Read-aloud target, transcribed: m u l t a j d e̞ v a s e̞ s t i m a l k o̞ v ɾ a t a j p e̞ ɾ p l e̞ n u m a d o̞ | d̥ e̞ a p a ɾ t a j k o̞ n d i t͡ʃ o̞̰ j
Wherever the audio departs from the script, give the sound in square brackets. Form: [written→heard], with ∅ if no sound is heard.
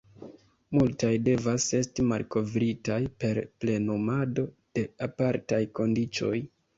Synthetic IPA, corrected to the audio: m u l t a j d e̞ v a s e̞ s t i m a l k o̞ v ɾ [a→i] t a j p e̞ ɾ p l e̞ n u m a d o̞ | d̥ e̞ a p a ɾ t a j k o̞ n d i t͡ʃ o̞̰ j